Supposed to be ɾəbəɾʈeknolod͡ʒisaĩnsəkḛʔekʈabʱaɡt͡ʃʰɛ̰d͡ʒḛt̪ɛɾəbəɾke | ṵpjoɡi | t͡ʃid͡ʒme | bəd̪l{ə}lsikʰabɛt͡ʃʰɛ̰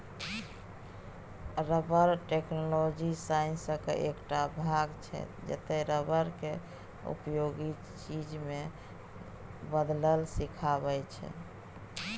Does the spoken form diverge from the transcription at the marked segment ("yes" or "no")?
no